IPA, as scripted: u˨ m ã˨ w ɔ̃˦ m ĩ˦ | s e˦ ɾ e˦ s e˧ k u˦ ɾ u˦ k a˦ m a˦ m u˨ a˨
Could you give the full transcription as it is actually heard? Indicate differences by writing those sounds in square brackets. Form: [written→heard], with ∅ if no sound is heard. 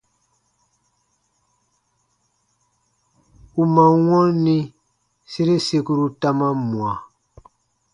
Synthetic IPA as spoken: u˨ m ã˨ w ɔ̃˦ [m→n] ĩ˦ | s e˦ ɾ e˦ s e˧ k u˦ ɾ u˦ [k→t] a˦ m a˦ m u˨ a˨